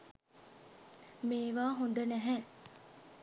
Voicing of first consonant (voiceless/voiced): voiced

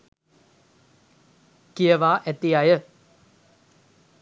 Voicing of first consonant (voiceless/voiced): voiceless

